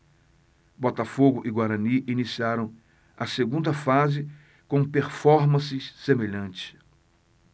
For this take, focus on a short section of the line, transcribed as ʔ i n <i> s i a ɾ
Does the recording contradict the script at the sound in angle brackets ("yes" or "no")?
no